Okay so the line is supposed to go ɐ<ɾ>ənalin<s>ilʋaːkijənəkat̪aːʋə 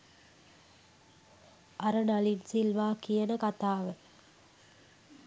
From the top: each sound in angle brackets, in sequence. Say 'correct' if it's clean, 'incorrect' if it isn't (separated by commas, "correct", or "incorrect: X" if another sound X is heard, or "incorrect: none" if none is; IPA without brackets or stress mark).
correct, correct